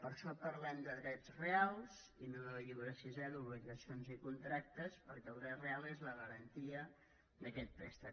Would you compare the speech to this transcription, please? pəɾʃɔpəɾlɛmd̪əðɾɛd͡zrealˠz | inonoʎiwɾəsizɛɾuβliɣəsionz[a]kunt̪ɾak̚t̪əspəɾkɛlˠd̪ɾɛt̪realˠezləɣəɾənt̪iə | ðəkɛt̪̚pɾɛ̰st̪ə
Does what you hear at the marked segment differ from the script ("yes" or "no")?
yes